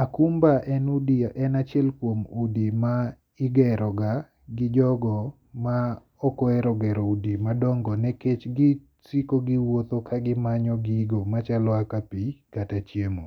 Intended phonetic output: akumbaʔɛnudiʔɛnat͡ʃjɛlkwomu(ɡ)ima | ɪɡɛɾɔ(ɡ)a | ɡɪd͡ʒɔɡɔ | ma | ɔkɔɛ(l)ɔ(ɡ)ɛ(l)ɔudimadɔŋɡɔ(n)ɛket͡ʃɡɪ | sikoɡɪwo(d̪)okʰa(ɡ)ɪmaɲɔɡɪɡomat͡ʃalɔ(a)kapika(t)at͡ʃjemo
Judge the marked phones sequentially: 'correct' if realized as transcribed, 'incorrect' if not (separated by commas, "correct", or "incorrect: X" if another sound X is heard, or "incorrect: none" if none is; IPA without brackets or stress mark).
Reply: incorrect: d, correct, incorrect: ɾ, correct, incorrect: ɾ, correct, incorrect: t̪, correct, correct, correct